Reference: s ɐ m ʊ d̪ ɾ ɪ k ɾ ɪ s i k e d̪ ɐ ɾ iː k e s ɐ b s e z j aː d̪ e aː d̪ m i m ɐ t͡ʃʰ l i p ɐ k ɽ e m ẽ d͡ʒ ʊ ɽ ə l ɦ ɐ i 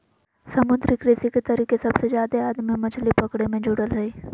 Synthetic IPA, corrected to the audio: s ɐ m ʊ d̪ ɾ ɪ k ɾ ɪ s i k e t̪ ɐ ɾ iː k e s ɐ b s e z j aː d̪ e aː d̪ m i m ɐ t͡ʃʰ l i p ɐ k ɽ e m ẽ d͡ʒ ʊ ɽ ə l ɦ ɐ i